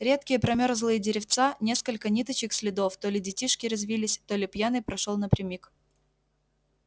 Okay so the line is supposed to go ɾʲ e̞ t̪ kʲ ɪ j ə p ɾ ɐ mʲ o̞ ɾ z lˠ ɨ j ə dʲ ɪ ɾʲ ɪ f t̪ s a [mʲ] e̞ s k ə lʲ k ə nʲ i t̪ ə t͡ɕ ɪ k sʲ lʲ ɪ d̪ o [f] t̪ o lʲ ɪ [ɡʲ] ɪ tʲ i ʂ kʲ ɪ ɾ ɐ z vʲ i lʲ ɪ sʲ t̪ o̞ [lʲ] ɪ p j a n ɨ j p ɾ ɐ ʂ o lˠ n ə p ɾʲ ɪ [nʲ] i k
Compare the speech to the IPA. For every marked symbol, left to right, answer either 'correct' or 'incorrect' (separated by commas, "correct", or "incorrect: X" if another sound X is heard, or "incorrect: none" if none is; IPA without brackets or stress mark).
incorrect: nʲ, correct, incorrect: dʲ, correct, incorrect: mʲ